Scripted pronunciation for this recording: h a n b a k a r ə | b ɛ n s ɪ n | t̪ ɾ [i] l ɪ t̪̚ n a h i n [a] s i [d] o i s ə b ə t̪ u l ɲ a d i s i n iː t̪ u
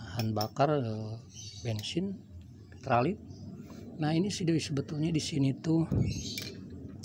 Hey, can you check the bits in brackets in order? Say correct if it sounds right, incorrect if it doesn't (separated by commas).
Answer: incorrect, incorrect, correct